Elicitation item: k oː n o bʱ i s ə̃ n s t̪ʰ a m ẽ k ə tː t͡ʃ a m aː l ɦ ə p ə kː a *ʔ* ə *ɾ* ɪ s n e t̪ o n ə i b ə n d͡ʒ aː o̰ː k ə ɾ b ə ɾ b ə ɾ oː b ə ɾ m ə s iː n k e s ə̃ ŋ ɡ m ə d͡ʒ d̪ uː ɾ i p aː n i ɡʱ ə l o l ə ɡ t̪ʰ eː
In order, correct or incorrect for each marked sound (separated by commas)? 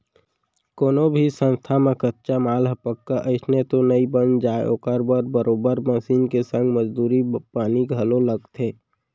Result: correct, incorrect